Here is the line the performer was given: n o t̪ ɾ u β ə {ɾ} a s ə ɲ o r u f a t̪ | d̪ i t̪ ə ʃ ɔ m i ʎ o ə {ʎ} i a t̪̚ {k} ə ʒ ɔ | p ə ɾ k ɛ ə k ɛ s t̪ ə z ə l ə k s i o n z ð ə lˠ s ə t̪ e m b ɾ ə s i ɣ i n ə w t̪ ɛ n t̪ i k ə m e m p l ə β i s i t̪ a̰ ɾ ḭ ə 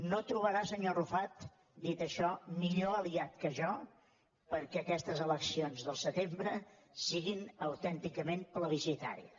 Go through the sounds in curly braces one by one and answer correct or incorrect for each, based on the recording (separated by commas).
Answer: correct, incorrect, correct